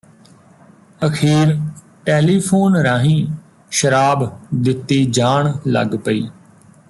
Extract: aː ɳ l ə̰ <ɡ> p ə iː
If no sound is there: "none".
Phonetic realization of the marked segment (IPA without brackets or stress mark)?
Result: ɡ